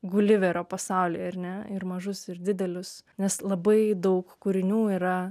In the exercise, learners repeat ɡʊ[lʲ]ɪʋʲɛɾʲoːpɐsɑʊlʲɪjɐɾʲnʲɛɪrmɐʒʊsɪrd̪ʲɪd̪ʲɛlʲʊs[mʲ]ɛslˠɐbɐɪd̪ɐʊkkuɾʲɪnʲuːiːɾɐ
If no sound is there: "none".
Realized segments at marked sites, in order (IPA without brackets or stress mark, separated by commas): lʲ, nʲ